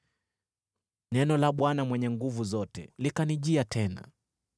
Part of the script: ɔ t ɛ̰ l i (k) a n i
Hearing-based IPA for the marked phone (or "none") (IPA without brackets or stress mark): k